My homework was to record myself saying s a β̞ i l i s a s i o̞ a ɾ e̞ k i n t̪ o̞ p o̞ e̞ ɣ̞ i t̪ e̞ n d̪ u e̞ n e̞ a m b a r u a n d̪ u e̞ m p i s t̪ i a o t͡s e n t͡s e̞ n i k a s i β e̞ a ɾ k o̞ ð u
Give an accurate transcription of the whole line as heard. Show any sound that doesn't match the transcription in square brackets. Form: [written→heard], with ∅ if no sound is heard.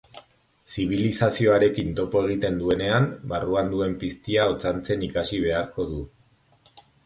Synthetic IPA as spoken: s [a→i] β̞ i l i s a s i o̞ a ɾ e̞ k i n t̪ o̞ p o̞ e̞ ɣ̞ i t̪ e̞ n d̪ u e̞ n e̞ a m b a r u a n d̪ u e̞ m p i s t̪ i a o t͡s [e→a] n t͡s e̞ n i k a s i β e̞ a ɾ k o̞ ð u